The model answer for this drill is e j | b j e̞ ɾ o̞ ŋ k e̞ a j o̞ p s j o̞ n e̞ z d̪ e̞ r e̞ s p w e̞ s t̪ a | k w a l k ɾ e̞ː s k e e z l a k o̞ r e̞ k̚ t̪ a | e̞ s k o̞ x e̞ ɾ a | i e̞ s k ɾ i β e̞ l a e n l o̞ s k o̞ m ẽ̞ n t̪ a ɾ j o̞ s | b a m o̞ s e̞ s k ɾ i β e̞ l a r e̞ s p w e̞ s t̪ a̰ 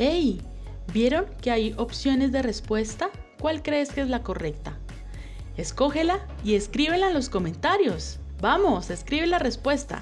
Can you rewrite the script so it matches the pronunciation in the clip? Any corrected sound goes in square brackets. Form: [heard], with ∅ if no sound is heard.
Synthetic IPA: e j | b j e̞ ɾ o̞ ŋ k e̞ a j o̞ p s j o̞ n e̞ z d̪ e̞ r e̞ s p w e̞ s t̪ a | k w a l k ɾ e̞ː s k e e z l a k o̞ r e̞ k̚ t̪ a | e̞ s k o̞ x e̞ [l] a | i e̞ s k ɾ i β e̞ l a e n l o̞ s k o̞ m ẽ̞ n t̪ a ɾ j o̞ s | b a m o̞ s e̞ s k ɾ i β e̞ l a r e̞ s p w e̞ s t̪ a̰